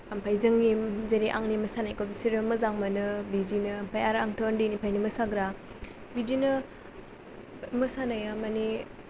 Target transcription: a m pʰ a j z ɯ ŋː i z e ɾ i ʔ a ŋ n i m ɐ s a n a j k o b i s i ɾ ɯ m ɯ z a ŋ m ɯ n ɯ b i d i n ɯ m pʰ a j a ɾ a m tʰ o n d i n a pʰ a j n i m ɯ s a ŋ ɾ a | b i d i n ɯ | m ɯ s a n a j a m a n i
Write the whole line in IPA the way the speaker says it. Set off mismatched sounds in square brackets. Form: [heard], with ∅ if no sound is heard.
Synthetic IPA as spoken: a m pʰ a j z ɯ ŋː i z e ɾ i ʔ a ŋ n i m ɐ s a n a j k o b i s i ɾ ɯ m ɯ z a ŋ m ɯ n ɯ b i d i n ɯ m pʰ a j a ɾ a [ŋ] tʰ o n d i n [i] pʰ a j n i m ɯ s a [ɡ] ɾ a | b i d i n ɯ | m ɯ s a n a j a m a n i